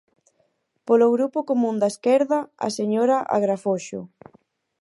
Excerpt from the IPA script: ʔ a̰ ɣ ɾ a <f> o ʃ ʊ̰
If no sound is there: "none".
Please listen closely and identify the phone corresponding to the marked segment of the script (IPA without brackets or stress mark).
f